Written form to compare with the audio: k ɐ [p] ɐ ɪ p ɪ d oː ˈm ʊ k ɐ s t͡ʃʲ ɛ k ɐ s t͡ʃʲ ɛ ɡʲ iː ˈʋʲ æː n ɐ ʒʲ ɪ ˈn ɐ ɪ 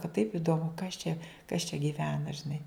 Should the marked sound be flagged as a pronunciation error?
yes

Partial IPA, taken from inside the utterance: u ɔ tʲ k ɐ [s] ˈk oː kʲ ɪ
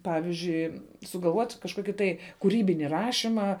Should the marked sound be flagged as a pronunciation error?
yes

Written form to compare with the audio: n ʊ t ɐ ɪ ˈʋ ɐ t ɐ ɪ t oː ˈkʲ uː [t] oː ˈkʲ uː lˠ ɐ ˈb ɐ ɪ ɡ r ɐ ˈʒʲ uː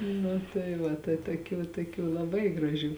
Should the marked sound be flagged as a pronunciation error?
no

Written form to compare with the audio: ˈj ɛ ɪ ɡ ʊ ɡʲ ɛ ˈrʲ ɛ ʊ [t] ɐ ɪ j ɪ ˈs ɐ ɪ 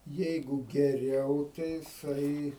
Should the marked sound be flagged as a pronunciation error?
no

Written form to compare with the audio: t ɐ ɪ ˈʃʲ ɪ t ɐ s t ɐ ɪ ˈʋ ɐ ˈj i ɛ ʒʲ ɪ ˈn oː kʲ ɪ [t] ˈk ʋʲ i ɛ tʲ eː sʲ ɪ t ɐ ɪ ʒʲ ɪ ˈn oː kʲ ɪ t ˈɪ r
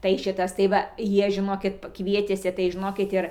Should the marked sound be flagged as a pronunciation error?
no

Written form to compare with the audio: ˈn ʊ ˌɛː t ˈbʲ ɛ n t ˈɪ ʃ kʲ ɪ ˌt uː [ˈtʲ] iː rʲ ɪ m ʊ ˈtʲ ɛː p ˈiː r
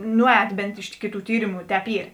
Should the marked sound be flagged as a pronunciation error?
no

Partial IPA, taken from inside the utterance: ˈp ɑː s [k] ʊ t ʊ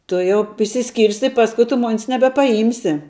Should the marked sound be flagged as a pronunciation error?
no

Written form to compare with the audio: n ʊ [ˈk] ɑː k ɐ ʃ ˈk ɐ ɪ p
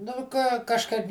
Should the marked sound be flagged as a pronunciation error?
no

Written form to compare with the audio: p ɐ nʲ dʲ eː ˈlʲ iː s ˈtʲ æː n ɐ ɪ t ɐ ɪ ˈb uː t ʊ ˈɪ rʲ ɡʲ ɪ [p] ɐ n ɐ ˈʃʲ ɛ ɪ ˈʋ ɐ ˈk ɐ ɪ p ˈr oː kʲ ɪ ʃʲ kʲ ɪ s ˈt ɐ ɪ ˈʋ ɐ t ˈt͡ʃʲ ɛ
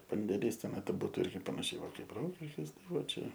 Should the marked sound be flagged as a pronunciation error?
no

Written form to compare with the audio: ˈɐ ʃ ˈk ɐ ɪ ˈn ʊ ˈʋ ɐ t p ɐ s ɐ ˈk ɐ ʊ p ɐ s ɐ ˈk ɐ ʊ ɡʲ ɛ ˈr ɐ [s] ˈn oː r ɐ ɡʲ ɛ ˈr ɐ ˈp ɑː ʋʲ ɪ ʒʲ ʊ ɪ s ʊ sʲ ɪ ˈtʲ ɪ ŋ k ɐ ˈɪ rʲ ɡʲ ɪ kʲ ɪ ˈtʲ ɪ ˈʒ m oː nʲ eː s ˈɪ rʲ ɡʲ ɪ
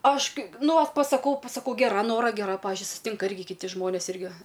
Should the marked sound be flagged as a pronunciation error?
yes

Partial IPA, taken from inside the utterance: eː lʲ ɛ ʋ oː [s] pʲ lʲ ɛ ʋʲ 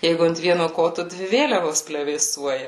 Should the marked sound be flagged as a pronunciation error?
no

